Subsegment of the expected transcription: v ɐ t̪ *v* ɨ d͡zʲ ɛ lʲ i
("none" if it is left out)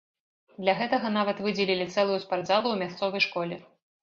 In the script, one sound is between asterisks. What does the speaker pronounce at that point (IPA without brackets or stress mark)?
v